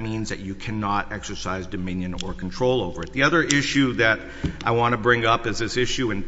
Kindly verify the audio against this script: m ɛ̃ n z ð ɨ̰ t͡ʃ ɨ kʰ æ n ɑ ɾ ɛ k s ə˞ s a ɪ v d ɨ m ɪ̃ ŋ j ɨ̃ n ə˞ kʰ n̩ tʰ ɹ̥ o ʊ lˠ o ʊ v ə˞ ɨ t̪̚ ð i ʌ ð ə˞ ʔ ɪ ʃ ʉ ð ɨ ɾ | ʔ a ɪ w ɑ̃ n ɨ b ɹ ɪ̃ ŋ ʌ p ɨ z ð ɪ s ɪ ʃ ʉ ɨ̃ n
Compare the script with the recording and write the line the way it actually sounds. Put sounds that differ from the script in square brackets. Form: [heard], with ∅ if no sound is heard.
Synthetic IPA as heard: m [ĩ] n z ð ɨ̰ t͡ʃ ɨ kʰ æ n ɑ ɾ ɛ k s ə˞ s a ɪ [z] d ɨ m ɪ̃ [n] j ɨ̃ n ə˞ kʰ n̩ tʰ ɹ̥ o ʊ lˠ o ʊ v ə˞ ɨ t̪̚ ð i ʌ ð ə˞ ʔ ɪ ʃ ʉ ð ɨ ɾ | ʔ a ɪ w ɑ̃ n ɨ b ɹ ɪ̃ ŋ ʌ p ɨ z ð ɪ s ɪ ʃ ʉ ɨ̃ n